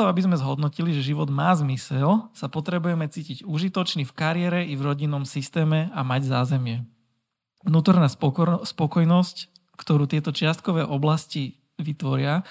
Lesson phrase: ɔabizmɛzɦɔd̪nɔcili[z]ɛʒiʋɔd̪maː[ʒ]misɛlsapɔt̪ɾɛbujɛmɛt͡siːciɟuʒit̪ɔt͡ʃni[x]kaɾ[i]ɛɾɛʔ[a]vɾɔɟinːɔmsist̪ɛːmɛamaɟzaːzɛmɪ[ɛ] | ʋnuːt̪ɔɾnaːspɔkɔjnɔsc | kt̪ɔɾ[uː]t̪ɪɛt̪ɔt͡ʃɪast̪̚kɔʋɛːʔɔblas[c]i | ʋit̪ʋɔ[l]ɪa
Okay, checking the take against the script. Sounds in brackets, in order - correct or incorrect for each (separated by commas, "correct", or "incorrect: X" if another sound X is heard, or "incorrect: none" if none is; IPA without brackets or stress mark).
incorrect: ʒ, incorrect: z, incorrect: f, incorrect: ɪ, incorrect: i, correct, correct, correct, incorrect: ɾ